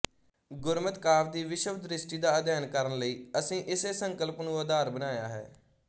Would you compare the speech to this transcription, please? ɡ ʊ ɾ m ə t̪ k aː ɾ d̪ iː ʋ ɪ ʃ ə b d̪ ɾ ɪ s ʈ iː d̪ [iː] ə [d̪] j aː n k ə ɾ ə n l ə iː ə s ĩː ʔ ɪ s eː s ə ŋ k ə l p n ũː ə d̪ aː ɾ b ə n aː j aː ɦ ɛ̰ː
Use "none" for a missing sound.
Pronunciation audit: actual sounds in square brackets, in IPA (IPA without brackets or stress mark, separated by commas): aː, d̪